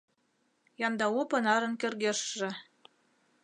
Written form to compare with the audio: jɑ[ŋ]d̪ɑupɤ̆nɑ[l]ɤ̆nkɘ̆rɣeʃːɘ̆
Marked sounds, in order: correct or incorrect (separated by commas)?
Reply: incorrect, incorrect